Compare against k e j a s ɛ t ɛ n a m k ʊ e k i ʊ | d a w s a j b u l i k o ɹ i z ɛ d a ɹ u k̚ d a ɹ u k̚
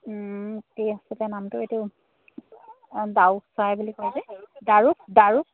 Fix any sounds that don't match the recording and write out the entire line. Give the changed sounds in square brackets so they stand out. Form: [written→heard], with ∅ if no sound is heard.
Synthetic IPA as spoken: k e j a s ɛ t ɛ n a m [k→t] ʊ e [k→t] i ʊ | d a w s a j b u l i k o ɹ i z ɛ d a ɹ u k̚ d a ɹ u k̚